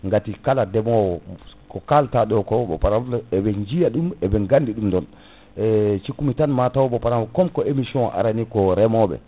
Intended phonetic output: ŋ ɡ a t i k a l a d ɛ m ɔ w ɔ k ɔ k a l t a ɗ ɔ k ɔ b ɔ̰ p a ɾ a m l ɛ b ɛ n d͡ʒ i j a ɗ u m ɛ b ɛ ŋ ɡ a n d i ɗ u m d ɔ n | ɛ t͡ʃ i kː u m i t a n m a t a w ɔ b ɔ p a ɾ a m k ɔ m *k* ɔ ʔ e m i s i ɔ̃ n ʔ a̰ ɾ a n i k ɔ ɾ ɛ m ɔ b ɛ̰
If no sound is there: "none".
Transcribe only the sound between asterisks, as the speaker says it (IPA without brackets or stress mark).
k